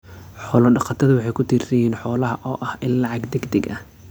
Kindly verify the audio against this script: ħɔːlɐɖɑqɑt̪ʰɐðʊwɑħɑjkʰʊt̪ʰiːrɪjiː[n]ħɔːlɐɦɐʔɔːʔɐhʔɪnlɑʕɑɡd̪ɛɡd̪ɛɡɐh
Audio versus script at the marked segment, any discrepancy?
no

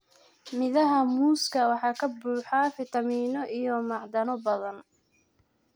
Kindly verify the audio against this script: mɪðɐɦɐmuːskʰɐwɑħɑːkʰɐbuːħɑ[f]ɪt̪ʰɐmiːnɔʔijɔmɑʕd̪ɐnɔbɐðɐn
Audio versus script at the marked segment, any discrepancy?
no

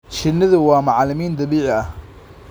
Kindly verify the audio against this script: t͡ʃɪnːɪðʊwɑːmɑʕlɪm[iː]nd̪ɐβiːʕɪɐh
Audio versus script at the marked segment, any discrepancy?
no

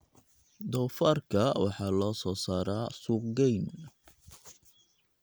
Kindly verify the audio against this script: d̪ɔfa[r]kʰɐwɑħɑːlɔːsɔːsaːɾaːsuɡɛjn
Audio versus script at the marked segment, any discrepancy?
no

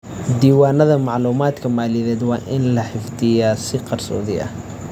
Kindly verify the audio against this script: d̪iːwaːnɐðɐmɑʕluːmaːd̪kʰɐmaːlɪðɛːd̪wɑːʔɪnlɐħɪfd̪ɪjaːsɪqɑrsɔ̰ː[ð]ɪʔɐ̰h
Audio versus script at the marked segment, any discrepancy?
no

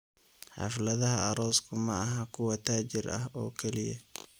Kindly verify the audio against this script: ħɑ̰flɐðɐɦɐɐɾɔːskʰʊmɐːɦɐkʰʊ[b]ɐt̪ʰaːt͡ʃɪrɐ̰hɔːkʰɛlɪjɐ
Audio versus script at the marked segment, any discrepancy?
yes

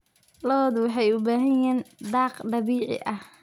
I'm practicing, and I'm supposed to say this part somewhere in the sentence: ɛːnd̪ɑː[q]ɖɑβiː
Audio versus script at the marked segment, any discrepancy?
no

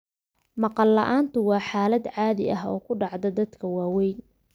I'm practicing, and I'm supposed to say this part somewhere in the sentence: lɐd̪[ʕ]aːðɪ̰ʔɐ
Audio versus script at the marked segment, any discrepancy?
no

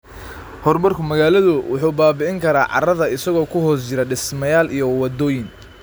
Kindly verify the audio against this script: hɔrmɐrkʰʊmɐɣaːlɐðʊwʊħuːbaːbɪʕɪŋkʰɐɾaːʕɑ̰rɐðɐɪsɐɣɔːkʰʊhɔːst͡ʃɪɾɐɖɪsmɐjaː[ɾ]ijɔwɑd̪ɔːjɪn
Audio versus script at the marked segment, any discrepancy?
yes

